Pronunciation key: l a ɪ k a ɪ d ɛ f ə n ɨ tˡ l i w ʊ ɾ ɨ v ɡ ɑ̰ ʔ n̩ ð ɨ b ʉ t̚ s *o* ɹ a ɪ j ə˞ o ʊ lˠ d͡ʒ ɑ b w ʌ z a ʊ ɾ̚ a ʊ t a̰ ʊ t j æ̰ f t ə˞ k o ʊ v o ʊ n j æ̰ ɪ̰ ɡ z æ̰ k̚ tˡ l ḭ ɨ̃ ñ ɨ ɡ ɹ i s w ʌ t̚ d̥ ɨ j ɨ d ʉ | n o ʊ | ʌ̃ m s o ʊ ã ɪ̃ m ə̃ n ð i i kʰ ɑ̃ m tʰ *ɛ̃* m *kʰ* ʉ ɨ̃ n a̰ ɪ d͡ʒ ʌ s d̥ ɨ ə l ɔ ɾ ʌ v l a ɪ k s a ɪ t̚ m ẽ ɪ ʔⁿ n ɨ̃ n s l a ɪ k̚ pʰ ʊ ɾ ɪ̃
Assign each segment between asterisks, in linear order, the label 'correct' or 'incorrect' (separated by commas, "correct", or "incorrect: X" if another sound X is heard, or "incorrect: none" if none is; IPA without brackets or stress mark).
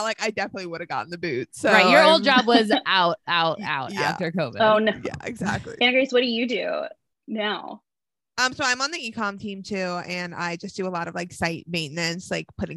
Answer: correct, incorrect: ĩ, incorrect: tʰ